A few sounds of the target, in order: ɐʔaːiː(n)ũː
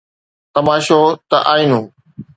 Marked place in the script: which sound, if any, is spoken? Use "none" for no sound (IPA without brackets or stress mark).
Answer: n